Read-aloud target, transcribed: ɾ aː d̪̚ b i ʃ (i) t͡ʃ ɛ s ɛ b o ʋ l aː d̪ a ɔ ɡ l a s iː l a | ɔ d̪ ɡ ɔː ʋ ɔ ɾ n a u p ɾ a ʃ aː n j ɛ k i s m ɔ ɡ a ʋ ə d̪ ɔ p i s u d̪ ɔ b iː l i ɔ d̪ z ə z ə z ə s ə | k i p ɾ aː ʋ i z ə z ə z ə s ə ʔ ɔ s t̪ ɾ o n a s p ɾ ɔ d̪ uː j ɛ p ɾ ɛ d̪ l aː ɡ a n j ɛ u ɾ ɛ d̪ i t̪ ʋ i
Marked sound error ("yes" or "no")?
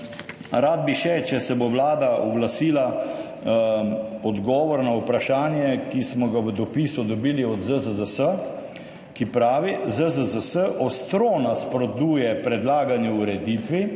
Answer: yes